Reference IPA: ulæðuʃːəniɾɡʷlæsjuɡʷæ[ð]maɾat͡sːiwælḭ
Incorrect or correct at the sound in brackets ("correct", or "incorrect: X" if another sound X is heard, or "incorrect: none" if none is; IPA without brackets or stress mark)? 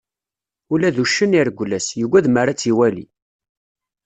correct